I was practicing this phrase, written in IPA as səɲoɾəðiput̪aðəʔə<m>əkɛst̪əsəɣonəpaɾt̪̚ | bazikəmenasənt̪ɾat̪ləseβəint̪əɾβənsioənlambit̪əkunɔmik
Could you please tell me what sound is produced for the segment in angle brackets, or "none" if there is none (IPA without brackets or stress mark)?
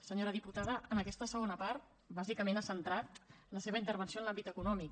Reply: n